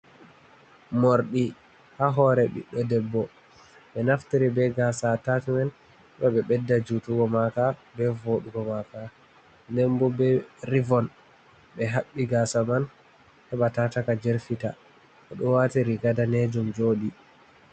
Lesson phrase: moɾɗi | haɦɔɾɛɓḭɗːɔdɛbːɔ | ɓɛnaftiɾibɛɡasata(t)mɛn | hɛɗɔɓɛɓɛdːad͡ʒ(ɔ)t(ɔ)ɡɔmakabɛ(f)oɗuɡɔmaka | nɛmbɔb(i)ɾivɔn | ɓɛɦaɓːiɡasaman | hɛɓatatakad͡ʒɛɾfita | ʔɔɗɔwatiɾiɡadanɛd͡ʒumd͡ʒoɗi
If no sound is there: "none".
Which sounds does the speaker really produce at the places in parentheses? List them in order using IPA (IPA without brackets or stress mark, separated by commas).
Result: t, u, u, v, ɛ